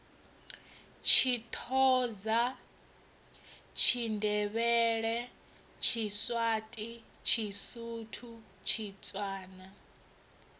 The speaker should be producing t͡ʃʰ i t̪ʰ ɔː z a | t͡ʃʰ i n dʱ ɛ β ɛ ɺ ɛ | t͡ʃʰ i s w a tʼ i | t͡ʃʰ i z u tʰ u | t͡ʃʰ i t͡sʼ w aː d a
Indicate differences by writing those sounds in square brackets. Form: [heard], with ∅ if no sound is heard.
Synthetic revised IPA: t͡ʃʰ i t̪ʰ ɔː z a | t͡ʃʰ i n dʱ ɛ β ɛ ɺ ɛ | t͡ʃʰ i s w a tʼ i | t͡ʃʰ i [s] u tʰ u | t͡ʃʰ i t͡sʼ w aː [n] a